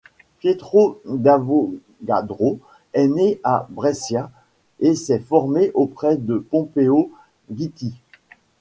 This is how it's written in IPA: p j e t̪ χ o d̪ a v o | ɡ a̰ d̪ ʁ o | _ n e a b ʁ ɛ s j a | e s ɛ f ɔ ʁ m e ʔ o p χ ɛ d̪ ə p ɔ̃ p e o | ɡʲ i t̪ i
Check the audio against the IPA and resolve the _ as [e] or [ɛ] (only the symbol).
ɛ